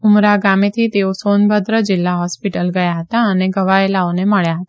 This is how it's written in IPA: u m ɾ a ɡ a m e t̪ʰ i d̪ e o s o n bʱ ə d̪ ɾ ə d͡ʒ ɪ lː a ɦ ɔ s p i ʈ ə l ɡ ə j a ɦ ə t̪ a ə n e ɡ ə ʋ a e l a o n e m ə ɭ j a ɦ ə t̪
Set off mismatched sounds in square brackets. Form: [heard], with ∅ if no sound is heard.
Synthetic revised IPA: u m ɾ a ɡ a m e t̪ʰ i [t̪] e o s o n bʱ ə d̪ ɾ ə d͡ʒ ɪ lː a ɦ ɔ s p i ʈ ə l ɡ ə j a ɦ ə t̪ a ə n e ɡ ə ʋ a e l a o n e m ə ɭ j a ɦ ə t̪